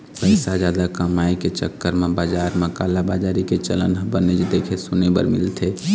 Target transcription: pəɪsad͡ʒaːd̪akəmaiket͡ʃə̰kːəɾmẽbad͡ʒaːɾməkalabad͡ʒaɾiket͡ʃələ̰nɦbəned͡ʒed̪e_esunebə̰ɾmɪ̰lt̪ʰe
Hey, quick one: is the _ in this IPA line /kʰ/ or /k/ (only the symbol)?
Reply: kʰ